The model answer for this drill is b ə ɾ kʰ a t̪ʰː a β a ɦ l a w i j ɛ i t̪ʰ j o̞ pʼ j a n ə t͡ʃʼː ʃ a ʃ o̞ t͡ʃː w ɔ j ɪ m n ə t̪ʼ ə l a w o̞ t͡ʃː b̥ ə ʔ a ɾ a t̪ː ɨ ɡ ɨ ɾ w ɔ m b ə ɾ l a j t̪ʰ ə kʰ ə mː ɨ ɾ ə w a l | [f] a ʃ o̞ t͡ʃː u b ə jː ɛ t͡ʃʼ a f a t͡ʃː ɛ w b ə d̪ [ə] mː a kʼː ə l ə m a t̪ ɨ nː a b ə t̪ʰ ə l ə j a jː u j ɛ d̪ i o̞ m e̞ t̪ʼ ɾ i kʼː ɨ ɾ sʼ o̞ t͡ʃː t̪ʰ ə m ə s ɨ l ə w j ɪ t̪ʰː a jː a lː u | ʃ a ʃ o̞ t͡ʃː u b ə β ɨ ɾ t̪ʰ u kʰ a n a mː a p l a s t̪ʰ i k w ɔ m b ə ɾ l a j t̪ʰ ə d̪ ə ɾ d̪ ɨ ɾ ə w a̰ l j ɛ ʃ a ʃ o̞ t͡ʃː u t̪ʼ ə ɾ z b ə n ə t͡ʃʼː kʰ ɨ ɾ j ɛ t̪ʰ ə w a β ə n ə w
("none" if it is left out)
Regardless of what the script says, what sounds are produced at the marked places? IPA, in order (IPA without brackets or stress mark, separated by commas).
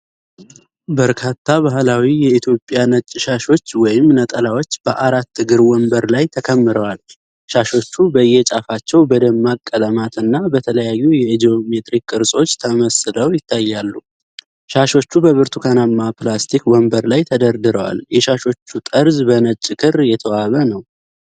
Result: ʃ, ə